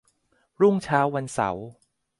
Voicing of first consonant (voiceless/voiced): voiced